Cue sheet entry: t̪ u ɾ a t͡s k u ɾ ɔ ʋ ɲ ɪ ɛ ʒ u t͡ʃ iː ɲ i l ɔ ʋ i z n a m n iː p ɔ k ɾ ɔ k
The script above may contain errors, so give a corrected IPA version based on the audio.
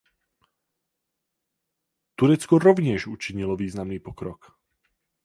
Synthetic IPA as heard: t̪ u ɾ ɛ t͡s k ɔ ɾ ɔ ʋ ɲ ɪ ɛ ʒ u t͡ʃ i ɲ i l ɔ ʋ iː z n a m n iː p ɔ k ɾ ɔ k

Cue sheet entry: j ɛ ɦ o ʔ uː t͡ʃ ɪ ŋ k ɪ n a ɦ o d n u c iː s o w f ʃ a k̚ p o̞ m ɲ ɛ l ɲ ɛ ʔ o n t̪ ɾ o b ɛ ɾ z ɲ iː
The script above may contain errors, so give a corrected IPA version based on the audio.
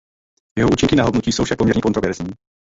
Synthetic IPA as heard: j ɛ ɦ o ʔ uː t͡ʃ ɪ ŋ k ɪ n a ɦ o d n u c iː s o w f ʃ a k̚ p o̞ m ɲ ɛ ɾ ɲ ɛ k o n t̪ ɾ o v ɛ ɾ z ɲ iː

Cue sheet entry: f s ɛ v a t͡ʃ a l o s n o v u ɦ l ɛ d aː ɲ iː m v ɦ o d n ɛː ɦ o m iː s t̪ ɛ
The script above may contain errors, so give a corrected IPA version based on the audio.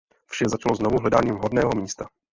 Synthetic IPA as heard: f ʃ ɛ z a t͡ʃ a l o z n o v u ɦ l ɛ d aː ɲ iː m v ɦ o d n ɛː ɦ o m iː s t̪ a

